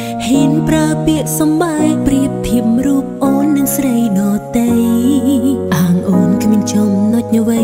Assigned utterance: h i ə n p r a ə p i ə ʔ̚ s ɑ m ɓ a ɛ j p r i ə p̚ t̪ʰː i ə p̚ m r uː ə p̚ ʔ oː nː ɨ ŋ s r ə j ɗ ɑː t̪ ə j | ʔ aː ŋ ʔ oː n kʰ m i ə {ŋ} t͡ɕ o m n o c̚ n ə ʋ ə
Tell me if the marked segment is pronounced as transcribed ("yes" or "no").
no